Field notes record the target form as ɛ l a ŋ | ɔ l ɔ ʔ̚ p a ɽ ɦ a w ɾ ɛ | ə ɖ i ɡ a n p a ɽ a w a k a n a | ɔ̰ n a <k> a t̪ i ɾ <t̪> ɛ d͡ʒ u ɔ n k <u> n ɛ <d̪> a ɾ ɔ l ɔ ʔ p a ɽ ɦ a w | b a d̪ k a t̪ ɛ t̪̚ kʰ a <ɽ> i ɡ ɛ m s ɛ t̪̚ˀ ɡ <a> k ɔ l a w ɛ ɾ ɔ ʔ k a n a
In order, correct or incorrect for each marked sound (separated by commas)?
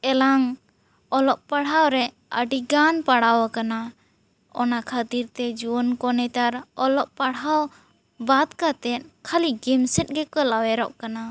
incorrect, correct, incorrect, incorrect, incorrect, incorrect